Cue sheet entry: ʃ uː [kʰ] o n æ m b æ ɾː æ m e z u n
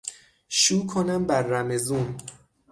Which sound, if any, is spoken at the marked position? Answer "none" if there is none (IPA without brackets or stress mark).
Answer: kʰ